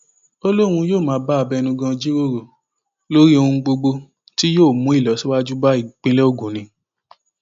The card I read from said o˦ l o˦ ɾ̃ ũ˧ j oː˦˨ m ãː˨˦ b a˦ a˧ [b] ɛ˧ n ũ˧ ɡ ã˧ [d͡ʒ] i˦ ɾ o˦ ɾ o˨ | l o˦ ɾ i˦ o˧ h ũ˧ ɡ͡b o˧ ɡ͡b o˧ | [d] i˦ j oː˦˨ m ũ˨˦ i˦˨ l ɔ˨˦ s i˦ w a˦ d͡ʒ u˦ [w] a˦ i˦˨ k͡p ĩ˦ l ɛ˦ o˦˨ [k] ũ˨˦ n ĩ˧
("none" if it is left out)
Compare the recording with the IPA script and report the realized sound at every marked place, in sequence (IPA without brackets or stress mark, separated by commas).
b, d͡ʒ, t, b, ɡ